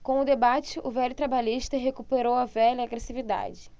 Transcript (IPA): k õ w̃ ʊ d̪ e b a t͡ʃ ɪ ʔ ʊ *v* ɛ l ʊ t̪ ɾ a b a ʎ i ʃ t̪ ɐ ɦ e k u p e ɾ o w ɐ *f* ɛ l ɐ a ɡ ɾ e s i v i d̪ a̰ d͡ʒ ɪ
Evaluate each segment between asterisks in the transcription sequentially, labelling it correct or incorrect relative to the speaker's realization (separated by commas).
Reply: correct, incorrect